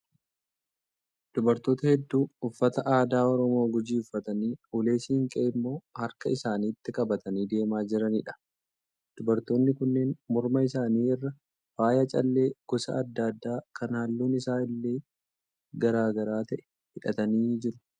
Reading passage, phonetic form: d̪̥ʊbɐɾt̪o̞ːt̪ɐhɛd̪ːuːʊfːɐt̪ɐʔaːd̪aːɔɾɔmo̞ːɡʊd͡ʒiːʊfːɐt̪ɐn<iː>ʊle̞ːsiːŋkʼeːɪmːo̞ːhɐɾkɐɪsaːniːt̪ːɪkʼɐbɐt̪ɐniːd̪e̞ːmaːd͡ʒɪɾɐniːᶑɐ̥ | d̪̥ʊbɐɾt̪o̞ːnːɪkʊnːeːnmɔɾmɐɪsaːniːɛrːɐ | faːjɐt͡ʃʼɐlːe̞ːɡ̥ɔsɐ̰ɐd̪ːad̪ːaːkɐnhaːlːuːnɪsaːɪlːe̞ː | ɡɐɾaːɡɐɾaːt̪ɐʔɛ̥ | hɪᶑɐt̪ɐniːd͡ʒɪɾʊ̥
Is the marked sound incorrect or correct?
correct